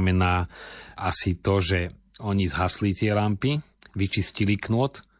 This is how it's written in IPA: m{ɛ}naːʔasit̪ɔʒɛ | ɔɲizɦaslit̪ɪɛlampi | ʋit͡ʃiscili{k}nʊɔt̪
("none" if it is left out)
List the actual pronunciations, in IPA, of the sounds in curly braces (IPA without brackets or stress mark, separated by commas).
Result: ɛ, k